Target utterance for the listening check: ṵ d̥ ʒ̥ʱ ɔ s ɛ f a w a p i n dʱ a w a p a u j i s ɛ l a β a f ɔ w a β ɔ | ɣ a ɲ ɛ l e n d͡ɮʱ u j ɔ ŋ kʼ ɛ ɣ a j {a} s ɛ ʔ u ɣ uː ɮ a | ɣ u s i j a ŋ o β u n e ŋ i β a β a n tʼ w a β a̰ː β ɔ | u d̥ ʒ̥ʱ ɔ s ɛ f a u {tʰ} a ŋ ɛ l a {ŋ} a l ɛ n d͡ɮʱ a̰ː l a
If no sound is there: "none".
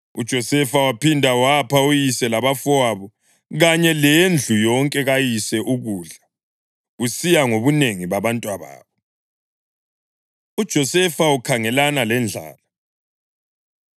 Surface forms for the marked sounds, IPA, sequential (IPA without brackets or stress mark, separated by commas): i, kʰ, n